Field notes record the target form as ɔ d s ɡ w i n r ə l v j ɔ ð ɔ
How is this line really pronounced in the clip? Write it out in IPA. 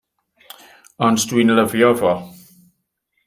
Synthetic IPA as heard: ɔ n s d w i n l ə v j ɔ v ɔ